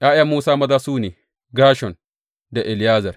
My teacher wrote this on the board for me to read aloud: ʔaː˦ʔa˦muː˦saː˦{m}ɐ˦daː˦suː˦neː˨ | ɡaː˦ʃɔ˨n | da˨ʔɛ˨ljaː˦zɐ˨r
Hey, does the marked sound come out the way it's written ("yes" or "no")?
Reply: yes